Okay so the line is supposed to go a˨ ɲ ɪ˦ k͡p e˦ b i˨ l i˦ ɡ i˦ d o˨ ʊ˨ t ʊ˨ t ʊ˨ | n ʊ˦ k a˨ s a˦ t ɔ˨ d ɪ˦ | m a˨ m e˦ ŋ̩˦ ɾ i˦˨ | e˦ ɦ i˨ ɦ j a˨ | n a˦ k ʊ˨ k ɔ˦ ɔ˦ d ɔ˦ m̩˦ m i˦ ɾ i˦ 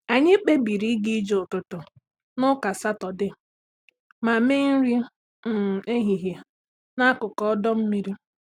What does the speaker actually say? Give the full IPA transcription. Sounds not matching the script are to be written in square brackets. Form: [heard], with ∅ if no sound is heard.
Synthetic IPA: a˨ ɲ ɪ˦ k͡p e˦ b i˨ [ɾ] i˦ ɡ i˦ [d͡ʒ] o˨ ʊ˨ t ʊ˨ t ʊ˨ | n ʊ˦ k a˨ s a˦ t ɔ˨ d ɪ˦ | m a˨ m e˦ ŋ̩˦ ɾ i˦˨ | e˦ ɦ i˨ ɦ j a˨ | n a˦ k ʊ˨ k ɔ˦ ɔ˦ d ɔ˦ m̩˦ m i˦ ɾ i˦

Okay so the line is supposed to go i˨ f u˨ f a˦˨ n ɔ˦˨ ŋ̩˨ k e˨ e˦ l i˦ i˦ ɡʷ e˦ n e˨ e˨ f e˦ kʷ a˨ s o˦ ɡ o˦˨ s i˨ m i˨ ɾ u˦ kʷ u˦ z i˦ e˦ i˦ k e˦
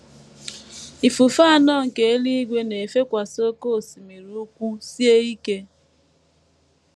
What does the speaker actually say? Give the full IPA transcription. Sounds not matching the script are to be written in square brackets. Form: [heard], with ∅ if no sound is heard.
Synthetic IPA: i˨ f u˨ f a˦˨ n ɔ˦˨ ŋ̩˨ k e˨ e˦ l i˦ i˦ ɡʷ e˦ n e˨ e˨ f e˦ kʷ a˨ s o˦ [k] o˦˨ s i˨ m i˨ ɾ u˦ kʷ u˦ [s] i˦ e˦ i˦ k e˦

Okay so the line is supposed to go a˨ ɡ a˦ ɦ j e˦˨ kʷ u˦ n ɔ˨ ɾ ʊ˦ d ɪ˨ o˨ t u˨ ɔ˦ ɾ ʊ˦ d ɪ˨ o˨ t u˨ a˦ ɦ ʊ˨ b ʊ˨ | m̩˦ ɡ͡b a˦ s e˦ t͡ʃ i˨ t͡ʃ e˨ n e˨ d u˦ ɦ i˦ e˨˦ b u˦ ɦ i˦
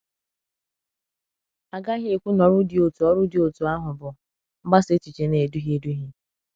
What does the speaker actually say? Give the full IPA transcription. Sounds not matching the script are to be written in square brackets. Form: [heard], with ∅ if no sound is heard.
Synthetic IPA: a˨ ɡ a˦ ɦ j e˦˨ kʷ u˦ n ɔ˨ ɾ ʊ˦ d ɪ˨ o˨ t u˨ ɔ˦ ɾ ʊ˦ d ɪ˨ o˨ t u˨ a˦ ɦ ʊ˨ b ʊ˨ | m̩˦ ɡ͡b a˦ s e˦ t͡ʃ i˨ t͡ʃ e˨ n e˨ d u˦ ɦ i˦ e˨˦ [d] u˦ ɦ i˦

